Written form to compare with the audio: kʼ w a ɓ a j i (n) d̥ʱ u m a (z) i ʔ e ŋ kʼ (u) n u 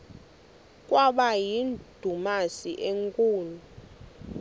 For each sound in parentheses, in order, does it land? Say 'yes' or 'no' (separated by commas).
yes, no, no